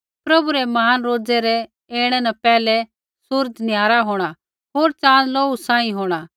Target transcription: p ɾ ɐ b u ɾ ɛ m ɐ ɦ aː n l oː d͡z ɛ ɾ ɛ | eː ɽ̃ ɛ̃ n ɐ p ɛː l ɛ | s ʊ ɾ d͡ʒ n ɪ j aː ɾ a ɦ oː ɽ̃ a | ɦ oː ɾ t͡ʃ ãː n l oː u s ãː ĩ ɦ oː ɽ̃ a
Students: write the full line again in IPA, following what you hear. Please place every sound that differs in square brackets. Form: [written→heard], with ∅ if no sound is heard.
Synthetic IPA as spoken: p ɾ ɐ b u ɾ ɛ m ɐ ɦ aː n [l→ɾ] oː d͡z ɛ ɾ ɛ | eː ɽ̃ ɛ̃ n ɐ p ɛː l ɛ | s ʊ ɾ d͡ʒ n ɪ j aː ɾ a ɦ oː ɽ̃ a | ɦ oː ɾ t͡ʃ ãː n l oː u s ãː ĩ ɦ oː ɽ̃ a